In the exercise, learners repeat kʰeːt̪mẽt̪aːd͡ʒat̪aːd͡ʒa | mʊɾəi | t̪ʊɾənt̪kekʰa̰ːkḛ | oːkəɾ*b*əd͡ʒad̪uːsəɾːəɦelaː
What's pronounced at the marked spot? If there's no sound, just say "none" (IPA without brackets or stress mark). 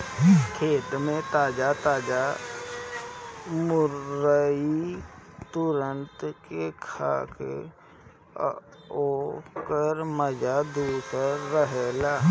m